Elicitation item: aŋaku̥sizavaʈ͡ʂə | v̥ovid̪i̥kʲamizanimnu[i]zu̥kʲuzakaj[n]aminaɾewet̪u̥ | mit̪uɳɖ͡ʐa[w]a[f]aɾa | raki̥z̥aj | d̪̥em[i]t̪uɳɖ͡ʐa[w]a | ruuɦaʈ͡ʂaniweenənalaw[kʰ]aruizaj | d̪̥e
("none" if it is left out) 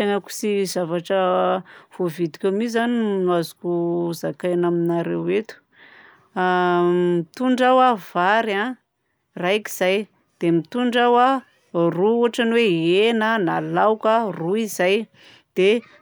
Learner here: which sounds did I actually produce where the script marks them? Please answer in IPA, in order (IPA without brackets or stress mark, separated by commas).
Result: a, n, w, v, i, w, k